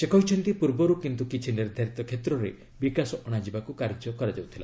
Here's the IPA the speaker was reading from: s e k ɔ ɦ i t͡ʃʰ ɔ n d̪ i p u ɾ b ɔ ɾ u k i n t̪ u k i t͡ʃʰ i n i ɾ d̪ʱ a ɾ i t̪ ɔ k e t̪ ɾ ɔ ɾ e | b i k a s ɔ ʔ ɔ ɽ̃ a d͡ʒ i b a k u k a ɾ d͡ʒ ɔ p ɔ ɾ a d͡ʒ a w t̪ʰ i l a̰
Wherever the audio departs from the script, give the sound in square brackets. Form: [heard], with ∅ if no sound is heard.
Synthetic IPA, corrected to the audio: s e k ɔ ɦ i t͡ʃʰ ɔ n [t̪] i p u ɾ b ɔ ɾ u k i n t̪ u k i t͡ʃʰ i n i ɾ d̪ʱ a ɾ i t̪ ɔ [kʰ] e t̪ ɾ ɔ ɾ e | b i k a s ɔ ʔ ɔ ɽ̃ a d͡ʒ i b a k u k a ɾ d͡ʒ ɔ [k] ɔ ɾ a d͡ʒ a w t̪ʰ i l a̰